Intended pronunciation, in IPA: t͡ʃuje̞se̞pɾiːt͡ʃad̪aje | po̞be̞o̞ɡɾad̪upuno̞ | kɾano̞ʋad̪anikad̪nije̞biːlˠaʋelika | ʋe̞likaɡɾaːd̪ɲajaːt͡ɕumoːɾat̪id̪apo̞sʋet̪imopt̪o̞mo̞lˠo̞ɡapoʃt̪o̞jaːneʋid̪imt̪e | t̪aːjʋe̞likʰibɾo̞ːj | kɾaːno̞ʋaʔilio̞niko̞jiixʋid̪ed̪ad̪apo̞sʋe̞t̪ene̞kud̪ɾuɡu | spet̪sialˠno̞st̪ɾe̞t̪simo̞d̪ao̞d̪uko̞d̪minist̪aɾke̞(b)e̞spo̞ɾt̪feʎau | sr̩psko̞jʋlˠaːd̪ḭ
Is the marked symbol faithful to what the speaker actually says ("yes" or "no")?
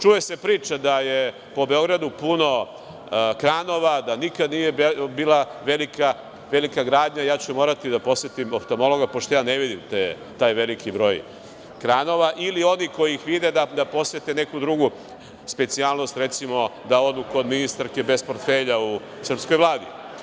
yes